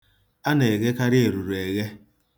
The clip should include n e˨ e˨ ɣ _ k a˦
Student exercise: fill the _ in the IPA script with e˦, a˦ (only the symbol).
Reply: e˦